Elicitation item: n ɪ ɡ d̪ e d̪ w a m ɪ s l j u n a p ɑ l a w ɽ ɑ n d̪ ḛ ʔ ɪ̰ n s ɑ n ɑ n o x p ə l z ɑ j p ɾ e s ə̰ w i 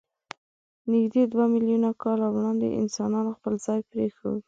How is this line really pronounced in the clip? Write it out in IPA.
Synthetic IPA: n ɪ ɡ d̪ e d̪ w a m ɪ l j u n a k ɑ l a w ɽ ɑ n d̪ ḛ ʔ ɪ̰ n s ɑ n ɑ n o x p ə l z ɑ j p ɾ e x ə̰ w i

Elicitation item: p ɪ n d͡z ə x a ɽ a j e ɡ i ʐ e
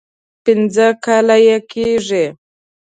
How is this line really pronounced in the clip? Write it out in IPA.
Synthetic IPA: p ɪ n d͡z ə k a l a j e k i ʐ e

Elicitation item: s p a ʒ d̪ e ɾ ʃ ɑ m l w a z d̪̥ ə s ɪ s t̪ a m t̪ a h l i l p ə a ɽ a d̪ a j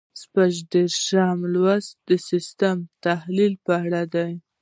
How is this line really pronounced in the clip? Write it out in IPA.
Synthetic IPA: s p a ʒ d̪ e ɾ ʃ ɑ m l w a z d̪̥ ə s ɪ s t̪ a m t̪ a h l i l p ə a ɽ a d̪ a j

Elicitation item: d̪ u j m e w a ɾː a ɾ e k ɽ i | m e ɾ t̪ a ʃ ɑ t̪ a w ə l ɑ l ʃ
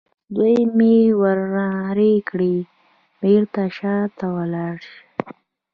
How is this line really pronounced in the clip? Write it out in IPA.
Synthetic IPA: d̪ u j m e w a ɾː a ɾ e k ɽ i | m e ɾ t̪ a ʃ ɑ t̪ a w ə l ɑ ɽ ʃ

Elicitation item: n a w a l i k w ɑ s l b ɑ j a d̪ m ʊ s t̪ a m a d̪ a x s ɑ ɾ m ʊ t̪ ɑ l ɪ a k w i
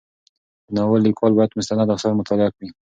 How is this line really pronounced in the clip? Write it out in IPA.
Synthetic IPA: n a w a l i k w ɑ l b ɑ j a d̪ m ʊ s t̪ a n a d̪ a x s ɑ ɾ m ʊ t̪ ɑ l ɪ a k w i

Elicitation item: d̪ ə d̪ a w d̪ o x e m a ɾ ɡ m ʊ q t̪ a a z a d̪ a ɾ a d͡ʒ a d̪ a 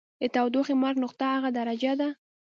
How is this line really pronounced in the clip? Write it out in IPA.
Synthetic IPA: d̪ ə t̪ a w d̪ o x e m a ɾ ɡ n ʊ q t̪ a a ɣ a d̪ a ɾ a d͡ʒ a d̪ a

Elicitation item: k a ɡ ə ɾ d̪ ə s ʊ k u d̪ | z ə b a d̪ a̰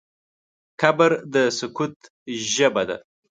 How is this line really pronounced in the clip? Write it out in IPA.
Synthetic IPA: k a b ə ɾ d̪ ə s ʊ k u t̪ | ʒ ə b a d̪ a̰

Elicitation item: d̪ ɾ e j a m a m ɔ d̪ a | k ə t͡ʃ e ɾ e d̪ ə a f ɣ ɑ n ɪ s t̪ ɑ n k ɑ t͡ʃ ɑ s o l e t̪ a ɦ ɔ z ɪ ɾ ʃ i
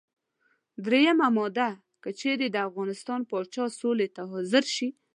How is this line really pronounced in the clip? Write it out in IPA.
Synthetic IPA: d̪ ɾ e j a m a m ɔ d̪ a | k ə t͡ʃ e ɾ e d̪ ə a f ɣ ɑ n ɪ s t̪ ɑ n p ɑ t͡ʃ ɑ s o l e t̪ a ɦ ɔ z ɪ ɾ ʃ i

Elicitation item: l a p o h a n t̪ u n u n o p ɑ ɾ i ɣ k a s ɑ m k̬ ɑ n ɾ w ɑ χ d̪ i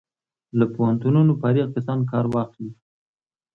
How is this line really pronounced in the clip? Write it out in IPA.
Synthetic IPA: l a p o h a n t̪ u n u n o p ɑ ɾ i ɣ k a s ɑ n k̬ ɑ ɾ w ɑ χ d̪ i

